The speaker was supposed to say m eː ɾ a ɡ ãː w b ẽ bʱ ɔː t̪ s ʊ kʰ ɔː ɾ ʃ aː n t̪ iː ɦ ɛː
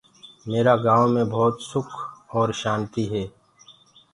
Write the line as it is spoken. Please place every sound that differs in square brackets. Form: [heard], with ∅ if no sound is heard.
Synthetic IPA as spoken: m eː ɾ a ɡ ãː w [m] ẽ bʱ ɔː t̪ s ʊ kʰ ɔː ɾ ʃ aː n t̪ [i] ɦ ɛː